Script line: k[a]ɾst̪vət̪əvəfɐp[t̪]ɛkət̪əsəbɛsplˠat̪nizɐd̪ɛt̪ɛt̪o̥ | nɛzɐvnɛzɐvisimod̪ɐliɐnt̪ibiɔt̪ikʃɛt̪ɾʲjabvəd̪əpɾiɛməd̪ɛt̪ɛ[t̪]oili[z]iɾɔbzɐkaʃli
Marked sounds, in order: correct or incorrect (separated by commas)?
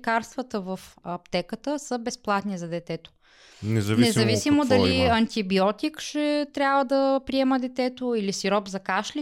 correct, correct, correct, incorrect